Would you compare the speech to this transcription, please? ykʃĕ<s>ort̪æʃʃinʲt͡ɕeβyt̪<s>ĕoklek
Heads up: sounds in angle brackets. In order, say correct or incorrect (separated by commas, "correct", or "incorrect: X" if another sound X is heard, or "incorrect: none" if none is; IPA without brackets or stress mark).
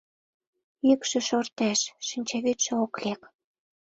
incorrect: ʃ, incorrect: ʃ